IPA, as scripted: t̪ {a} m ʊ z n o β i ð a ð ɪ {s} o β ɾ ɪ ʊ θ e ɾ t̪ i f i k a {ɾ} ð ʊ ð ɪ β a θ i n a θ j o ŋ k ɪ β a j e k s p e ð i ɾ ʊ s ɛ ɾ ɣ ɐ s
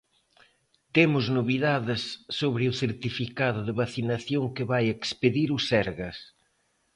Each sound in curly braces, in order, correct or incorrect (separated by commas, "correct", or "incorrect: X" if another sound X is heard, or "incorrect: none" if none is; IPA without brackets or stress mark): incorrect: e, incorrect: sː, incorrect: none